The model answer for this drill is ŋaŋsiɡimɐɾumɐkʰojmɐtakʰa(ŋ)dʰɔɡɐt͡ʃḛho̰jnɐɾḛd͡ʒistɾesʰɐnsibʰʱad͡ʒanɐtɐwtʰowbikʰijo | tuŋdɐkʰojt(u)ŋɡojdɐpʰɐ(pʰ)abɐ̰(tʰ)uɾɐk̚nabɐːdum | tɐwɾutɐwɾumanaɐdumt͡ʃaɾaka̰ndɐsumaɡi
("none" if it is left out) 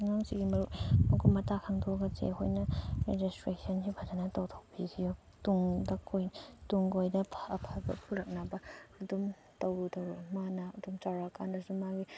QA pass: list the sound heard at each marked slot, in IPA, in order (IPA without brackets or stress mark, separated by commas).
ŋ, u, pʰ, pʰ